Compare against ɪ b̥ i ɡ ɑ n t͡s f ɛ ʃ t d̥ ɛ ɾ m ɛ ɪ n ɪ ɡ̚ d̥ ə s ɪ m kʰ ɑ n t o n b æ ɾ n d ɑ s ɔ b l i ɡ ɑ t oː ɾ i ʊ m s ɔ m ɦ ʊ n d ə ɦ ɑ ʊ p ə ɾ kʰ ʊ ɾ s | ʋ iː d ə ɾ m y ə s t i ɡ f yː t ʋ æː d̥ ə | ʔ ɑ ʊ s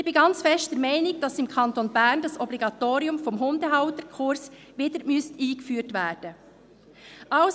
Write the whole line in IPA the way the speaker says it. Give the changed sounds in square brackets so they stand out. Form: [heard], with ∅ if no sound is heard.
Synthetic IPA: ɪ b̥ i ɡ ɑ n t͡s f ɛ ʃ t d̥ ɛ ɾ m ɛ ɪ n ɪ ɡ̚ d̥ [ɑ] s ɪ m kʰ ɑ n t o n b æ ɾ n d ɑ s ɔ b l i ɡ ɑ t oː ɾ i ʊ m [f] ɔ m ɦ ʊ n d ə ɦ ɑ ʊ [t] ə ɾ kʰ ʊ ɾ s | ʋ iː d ə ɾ m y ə s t [iː] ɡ f yː t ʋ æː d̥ ə | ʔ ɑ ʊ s